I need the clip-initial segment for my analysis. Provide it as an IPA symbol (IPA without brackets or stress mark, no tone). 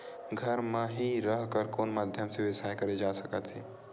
ɡʱ